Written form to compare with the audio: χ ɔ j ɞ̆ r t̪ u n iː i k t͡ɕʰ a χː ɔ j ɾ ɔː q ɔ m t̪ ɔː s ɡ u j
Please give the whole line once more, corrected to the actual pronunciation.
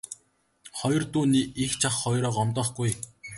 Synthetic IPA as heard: χ ɔ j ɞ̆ r t̪ uː n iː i x t͡ɕʰ a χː ɔ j ɾ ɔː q ɔ m t̪ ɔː χ ɡ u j